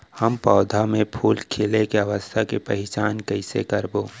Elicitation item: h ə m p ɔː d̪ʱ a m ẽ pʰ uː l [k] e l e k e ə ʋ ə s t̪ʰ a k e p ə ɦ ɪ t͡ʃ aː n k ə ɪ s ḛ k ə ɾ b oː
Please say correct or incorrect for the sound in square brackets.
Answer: incorrect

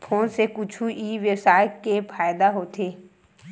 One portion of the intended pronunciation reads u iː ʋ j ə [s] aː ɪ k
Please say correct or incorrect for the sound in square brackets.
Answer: correct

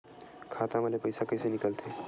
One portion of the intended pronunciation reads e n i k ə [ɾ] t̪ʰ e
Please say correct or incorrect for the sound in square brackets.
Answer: incorrect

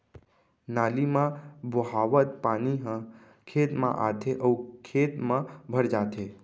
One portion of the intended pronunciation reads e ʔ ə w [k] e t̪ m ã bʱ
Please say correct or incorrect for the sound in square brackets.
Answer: incorrect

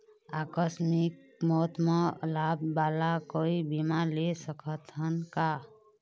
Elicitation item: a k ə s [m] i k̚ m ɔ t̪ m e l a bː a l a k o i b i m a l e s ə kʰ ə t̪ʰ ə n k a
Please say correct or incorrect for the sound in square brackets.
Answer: correct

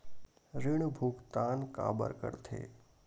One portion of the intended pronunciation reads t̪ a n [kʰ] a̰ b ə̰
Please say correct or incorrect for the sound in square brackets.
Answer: incorrect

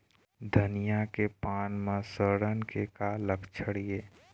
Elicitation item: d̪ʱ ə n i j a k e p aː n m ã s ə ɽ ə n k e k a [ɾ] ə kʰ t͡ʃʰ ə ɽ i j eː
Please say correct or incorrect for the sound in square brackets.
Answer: incorrect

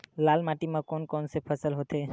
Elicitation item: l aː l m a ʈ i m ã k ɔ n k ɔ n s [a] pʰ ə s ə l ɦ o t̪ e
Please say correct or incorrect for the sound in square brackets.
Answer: incorrect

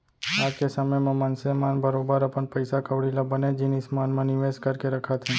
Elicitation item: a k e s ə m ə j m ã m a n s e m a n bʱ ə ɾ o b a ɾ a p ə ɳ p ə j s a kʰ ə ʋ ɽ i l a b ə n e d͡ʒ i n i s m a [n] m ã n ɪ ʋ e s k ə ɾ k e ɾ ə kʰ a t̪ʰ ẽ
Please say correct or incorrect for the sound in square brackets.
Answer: correct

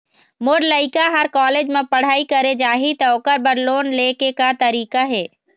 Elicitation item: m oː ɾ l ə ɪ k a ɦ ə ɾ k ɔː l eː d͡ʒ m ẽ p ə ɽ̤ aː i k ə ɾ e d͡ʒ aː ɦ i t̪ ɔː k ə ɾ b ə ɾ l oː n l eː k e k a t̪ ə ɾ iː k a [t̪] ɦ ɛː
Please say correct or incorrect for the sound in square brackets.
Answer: incorrect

